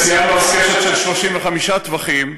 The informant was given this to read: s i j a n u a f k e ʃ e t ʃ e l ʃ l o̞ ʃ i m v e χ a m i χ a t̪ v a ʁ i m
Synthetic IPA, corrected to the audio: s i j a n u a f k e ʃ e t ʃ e l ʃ l o̞ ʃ i m v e χ a m i ʃ a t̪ v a χ i m